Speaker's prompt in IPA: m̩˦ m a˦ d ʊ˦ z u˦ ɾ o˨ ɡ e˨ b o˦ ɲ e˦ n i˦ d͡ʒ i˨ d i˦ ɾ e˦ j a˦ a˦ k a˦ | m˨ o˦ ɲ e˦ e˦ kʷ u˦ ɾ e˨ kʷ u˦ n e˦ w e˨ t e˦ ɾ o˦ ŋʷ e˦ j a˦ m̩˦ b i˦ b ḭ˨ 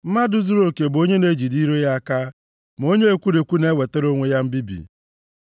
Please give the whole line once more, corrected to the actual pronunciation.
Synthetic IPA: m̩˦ m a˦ d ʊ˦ z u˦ ɾ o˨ k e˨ b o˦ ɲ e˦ n e˦ d͡ʒ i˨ d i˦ ɾ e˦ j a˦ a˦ k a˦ | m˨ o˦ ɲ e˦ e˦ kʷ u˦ ɾ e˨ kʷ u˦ n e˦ w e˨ t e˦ ɾ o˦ ŋʷ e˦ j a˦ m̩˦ b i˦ b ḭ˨